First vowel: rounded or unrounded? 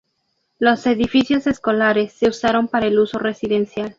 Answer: rounded